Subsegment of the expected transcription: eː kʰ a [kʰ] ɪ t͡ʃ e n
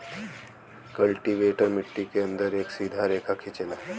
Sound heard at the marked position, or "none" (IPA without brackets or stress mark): kʰ